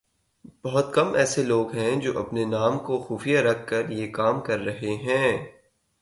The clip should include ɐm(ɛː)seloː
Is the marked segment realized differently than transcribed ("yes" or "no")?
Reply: no